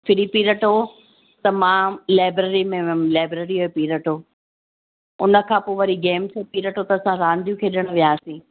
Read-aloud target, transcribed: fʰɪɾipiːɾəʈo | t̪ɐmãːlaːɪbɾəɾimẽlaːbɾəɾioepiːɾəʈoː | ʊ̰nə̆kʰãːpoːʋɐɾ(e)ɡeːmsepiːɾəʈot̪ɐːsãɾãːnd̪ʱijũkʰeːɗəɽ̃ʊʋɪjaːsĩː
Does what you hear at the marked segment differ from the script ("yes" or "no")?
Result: yes